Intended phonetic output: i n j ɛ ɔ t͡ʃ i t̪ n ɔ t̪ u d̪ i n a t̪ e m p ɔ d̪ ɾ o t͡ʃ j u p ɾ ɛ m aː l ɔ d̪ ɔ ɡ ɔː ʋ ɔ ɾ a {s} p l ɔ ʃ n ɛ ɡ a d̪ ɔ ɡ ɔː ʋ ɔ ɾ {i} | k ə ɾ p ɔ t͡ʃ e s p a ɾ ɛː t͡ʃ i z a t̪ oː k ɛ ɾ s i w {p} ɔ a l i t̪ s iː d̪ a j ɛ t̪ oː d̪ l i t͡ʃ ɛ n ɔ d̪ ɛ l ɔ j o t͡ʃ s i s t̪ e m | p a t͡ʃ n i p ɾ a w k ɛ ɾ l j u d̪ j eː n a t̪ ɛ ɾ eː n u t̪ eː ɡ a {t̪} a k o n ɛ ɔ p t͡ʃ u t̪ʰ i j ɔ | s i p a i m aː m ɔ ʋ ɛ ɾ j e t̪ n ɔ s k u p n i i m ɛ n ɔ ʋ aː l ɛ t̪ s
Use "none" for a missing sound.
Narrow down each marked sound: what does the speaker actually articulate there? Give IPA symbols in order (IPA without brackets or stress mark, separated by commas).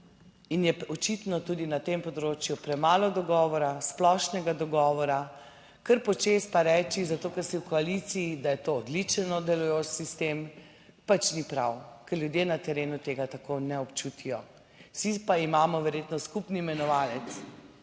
s, a, k, t̪